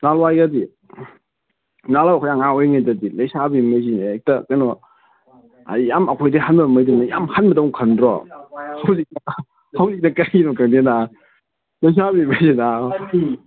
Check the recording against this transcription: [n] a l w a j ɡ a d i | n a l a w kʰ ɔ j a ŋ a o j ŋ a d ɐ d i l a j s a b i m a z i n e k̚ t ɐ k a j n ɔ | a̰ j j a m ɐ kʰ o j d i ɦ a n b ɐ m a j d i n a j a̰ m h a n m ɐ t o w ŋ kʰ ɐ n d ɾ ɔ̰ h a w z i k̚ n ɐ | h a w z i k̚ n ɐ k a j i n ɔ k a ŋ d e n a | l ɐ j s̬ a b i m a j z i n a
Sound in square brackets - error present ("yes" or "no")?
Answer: no